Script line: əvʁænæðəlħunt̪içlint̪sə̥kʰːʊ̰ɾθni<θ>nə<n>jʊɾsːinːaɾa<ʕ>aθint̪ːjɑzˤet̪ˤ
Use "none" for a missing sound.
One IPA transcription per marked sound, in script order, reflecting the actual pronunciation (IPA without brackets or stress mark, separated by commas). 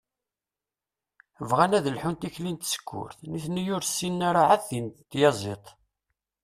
θ, none, ʕ